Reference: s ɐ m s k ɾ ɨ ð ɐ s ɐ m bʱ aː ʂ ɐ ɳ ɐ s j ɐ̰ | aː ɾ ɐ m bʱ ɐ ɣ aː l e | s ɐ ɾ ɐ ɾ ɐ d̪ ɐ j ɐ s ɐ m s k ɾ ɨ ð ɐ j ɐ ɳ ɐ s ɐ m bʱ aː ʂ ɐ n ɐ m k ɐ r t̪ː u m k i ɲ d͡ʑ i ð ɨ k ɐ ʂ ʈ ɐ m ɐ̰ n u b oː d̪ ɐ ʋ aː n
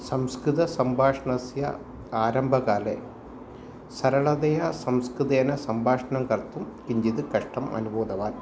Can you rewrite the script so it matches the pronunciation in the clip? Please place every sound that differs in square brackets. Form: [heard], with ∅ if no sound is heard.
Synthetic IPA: s ɐ m s k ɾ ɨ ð ɐ s ɐ m bʱ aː ʂ ɐ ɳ ɐ s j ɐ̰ | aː ɾ ɐ m bʱ ɐ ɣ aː l e | s ɐ ɾ ɐ [ɭ] ɐ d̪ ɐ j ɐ s ɐ m s k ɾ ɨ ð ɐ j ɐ [n] ɐ s ɐ m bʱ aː ʂ ɐ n ɐ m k ɐ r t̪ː u m k i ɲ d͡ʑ i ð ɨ k ɐ ʂ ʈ ɐ m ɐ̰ n u b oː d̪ ɐ ʋ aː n

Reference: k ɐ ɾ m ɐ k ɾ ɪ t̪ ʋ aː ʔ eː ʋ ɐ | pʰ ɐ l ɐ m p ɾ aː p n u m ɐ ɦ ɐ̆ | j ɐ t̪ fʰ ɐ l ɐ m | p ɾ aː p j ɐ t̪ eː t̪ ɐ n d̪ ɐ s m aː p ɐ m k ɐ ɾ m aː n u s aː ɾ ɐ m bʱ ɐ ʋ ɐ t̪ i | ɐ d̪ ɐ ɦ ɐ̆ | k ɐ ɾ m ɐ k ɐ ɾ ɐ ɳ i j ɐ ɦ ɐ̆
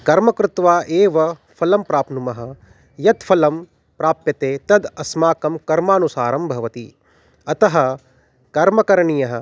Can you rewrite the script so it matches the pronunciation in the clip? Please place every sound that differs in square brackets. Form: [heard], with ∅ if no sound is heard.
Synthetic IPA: k ɐ ɾ m ɐ k ɾ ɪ t̪ ʋ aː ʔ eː ʋ ɐ | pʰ ɐ l ɐ m p ɾ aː p n u m ɐ ɦ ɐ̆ | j ɐ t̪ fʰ ɐ l ɐ m | p ɾ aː p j ɐ t̪ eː t̪ ɐ [∅] d̪ ɐ s m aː [k] ɐ m k ɐ ɾ m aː n u s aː ɾ ɐ m bʱ ɐ ʋ ɐ t̪ i | ɐ [t̪] ɐ ɦ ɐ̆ | k ɐ ɾ m ɐ k ɐ ɾ ɐ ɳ i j ɐ ɦ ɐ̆

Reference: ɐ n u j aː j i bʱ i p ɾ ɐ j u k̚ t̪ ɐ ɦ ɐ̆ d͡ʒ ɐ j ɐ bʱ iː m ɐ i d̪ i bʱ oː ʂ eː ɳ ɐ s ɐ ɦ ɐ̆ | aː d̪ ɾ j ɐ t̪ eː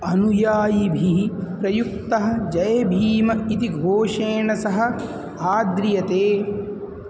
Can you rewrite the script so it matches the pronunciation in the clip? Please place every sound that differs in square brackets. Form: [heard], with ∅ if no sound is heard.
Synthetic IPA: ɐ n u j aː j i bʱ i p ɾ ɐ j u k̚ t̪ ɐ ɦ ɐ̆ d͡ʒ ɐ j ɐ bʱ iː m ɐ i [t̪] i [ɡʱ] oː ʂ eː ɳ ɐ s ɐ ɦ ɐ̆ | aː d̪ ɾ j ɐ t̪ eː

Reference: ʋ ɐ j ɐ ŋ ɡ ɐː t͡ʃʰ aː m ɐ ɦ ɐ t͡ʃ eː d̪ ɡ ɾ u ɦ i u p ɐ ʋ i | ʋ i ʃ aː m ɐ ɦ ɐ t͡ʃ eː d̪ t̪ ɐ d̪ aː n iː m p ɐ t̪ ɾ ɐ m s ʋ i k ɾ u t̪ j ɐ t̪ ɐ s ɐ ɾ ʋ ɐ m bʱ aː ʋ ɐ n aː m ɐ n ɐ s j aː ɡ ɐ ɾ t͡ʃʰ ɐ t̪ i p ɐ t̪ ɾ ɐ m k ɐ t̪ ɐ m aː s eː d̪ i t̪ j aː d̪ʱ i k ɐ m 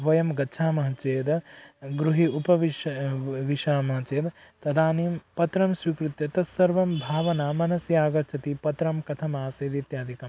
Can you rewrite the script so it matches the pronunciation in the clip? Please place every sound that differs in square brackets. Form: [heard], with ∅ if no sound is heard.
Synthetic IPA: ʋ ɐ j ɐ [m] ɡ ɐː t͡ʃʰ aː m ɐ ɦ ɐ t͡ʃ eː d̪ ɡ ɾ u ɦ i u p ɐ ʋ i | ʋ i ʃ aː m ɐ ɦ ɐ t͡ʃ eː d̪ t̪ ɐ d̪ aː n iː m p ɐ t̪ ɾ ɐ m s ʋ i k ɾ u t̪ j ɐ t̪ ɐ s ɐ ɾ ʋ ɐ m bʱ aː ʋ ɐ n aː m ɐ n ɐ s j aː ɡ ɐ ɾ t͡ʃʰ ɐ t̪ i p ɐ t̪ ɾ ɐ m k ɐ [t̪ʰ] ɐ m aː s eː d̪ i t̪ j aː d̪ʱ i k ɐ m

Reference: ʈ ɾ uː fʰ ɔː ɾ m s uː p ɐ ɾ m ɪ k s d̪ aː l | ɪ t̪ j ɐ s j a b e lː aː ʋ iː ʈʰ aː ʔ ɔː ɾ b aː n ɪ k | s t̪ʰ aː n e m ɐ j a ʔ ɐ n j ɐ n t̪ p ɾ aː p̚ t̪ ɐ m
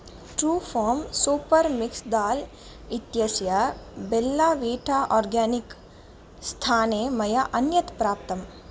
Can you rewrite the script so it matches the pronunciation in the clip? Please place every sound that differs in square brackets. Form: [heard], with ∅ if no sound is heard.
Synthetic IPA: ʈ ɾ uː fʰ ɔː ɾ m s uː p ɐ ɾ m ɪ k s d̪ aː l | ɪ t̪ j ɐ s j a b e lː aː ʋ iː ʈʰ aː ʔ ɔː ɾ [ɡ] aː n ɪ k | s t̪ʰ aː n e m ɐ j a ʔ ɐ n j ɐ [∅] t̪ p ɾ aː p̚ t̪ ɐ m

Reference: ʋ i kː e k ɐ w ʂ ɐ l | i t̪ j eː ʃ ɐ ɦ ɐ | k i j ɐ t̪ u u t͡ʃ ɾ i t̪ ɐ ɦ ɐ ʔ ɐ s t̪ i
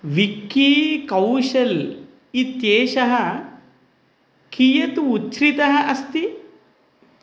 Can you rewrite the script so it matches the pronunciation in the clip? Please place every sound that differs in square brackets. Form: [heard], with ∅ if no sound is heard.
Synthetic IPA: ʋ i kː [i] k ɐ w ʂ ɐ l | i t̪ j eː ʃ ɐ ɦ ɐ | k i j ɐ t̪ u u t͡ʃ ɾ i t̪ ɐ ɦ ɐ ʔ ɐ s t̪ i

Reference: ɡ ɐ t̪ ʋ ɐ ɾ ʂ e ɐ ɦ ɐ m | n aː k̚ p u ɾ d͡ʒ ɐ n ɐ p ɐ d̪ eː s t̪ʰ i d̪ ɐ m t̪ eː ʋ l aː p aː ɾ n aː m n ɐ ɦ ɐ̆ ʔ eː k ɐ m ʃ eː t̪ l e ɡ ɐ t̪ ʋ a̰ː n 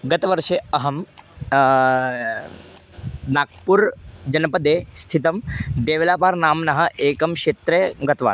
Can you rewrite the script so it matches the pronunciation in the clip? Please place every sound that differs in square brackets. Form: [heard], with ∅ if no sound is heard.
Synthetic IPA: ɡ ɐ t̪ ʋ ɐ ɾ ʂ e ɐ ɦ ɐ m | n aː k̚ p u ɾ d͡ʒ ɐ n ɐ p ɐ d̪ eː s t̪ʰ i [t̪] ɐ m [d̪] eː ʋ l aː p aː ɾ n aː m n ɐ ɦ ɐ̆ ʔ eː k ɐ m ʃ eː t̪ [ɾ] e ɡ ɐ t̪ ʋ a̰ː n

